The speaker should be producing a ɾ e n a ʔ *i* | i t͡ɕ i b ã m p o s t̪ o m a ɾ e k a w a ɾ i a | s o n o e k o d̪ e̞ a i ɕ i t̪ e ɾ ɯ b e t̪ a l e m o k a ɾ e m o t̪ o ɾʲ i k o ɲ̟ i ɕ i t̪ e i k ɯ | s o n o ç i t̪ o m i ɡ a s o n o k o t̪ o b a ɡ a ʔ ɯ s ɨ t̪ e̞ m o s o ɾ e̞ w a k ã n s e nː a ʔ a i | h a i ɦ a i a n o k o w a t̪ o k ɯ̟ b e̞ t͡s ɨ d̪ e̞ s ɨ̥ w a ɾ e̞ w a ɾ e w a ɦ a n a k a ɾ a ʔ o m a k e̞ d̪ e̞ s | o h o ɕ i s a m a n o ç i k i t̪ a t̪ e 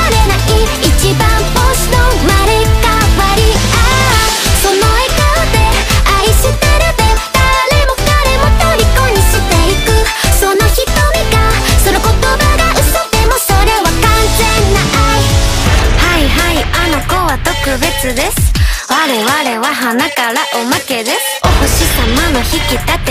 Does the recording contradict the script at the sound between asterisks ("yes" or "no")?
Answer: no